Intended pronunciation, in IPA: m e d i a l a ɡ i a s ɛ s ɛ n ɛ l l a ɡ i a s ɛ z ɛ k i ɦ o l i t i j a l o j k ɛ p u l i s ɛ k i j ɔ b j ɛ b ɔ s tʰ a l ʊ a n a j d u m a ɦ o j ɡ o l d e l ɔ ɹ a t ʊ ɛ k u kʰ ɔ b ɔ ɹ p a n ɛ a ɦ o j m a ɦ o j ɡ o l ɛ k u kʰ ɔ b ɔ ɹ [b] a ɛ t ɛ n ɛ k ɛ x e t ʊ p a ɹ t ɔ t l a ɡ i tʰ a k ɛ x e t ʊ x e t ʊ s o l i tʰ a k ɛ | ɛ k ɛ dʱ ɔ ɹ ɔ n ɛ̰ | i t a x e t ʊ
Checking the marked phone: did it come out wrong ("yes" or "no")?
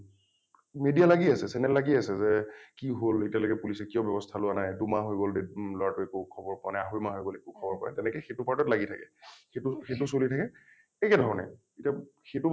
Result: yes